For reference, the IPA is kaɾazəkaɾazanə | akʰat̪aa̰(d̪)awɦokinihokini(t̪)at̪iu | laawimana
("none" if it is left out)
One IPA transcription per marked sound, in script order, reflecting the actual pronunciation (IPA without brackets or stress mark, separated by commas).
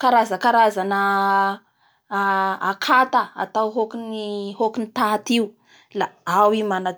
t̪, t̪